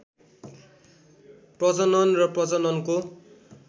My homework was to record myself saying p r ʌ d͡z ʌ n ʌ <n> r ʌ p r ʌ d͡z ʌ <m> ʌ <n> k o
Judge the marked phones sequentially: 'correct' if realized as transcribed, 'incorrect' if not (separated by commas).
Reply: correct, incorrect, correct